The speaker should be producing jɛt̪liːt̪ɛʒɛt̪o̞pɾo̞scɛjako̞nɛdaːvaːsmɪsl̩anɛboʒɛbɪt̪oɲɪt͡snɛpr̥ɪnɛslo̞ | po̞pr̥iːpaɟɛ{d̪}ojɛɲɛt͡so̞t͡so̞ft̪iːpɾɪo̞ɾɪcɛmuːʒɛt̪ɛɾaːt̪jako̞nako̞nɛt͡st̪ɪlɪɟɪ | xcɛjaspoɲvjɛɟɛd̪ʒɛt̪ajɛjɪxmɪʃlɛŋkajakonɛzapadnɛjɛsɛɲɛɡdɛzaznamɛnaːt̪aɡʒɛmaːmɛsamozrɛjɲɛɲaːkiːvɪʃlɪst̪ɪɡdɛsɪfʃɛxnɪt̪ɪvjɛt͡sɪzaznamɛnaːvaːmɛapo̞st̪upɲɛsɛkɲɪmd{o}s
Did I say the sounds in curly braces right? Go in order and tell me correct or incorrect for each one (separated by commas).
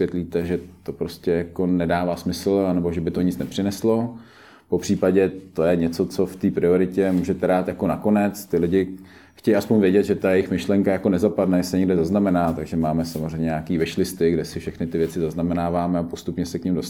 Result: incorrect, correct